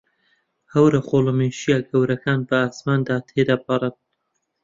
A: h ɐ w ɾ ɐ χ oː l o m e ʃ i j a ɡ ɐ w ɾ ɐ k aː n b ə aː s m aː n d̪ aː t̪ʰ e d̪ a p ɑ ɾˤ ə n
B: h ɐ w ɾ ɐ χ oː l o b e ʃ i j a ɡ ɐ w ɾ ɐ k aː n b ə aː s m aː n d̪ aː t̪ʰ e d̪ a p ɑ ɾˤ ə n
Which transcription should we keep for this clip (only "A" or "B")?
A